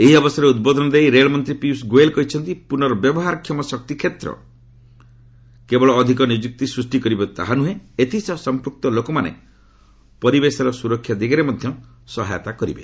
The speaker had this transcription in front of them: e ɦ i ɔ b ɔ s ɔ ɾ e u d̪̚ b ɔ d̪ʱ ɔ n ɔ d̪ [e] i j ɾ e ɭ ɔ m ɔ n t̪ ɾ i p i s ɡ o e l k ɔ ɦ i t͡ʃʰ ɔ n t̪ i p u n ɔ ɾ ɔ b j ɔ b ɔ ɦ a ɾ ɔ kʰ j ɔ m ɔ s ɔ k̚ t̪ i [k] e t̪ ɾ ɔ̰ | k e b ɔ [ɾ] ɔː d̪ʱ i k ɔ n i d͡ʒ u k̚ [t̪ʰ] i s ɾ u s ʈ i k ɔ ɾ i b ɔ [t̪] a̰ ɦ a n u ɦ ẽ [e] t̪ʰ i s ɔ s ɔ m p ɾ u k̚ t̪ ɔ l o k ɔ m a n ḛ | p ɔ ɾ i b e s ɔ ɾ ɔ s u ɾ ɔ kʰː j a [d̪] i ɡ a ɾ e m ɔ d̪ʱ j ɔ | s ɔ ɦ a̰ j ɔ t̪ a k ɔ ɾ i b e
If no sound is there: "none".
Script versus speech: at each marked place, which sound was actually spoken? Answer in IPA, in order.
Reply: e, kʰ, ɭ, t̪, t̪, e, d̪

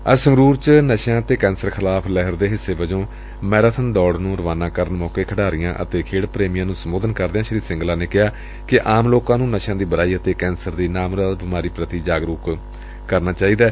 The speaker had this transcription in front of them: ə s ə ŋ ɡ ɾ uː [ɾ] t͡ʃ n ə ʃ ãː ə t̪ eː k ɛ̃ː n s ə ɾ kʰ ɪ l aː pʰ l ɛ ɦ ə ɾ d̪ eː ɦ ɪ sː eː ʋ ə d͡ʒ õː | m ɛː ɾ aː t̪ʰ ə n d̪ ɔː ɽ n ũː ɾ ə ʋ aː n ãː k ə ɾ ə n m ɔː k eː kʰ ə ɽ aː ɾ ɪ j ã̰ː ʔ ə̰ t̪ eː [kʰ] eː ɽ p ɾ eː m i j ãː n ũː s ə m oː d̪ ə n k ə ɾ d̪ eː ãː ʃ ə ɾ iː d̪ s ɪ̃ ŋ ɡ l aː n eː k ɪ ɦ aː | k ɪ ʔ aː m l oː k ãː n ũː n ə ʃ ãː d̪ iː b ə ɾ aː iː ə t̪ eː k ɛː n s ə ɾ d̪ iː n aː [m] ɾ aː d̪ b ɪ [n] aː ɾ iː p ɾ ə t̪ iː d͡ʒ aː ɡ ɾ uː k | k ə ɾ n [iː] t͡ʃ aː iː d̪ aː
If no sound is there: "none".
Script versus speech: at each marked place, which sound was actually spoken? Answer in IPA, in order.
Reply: ɾ, kʰ, m, m, aː

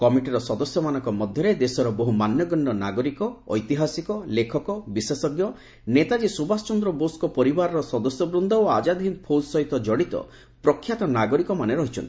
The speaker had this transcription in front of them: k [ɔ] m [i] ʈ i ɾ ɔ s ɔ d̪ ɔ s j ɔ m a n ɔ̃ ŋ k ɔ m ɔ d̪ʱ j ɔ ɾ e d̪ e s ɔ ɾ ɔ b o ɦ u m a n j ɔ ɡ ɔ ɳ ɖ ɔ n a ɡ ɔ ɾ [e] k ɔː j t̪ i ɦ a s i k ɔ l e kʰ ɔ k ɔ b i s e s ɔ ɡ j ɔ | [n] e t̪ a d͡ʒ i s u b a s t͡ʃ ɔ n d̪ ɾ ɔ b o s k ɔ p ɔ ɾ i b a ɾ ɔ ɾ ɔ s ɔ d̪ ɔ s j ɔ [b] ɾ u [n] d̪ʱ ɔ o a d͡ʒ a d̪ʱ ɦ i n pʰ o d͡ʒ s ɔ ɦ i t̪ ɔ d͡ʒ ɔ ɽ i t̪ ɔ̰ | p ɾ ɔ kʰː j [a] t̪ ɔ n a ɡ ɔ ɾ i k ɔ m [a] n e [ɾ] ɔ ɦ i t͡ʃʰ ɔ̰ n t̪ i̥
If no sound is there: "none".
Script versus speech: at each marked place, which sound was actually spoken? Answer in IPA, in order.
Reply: ɔ, i, i, n, b, n, a, a, ɾ

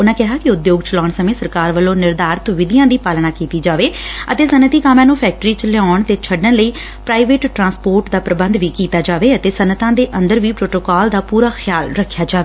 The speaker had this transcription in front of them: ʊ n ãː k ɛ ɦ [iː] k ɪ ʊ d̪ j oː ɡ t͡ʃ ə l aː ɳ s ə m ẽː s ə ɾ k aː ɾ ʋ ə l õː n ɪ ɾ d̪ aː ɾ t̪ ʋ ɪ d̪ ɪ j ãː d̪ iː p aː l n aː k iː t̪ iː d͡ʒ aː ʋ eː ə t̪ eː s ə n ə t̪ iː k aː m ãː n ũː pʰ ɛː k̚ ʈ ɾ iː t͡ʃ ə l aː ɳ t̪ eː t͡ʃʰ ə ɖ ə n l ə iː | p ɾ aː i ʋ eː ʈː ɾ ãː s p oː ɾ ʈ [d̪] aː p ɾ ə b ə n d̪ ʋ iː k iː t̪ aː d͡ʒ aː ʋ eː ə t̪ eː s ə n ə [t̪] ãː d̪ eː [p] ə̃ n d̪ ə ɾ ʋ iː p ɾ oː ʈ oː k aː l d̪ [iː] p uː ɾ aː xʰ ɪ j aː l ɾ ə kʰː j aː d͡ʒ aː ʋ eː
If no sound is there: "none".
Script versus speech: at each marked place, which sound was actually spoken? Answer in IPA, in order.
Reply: aː, d̪, t̪, ʔ, aː

